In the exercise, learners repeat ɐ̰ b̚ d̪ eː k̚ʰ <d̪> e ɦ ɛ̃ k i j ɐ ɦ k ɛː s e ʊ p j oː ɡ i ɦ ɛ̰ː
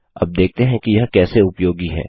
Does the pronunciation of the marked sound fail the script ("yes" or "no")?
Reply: yes